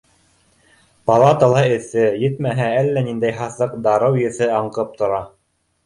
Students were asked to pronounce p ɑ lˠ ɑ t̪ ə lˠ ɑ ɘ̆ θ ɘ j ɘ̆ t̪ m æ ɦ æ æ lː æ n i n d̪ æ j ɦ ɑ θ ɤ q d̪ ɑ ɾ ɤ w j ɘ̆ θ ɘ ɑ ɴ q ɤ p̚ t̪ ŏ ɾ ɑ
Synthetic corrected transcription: p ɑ lˠ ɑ t̪ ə lˠ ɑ ɘ̆ θ ɘ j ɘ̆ t̪ m æ ɦ æ æ lː æ n i n d̪ æ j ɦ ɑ θ ɤ q d̪ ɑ ɾ ɤ w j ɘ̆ θ ɘ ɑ ɴ q ɤ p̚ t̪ ŏ ɾ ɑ